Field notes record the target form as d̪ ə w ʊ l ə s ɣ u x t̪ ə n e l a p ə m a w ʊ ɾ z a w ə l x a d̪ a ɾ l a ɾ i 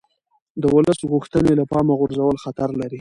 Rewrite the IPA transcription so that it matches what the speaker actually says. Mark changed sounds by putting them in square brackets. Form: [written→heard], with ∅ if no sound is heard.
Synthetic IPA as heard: d̪ ə w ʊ l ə s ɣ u x t̪ ə n e l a p [ə→ɑ] m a [w→ɣ] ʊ ɾ z a w ə l x a [d̪→t̪] a ɾ l a ɾ i